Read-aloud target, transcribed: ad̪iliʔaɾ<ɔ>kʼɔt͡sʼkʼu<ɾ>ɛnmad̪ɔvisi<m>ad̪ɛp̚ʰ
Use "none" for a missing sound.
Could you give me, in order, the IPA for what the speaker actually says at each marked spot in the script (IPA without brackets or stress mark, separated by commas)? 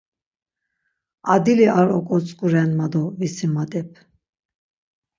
ɔ, ɾ, m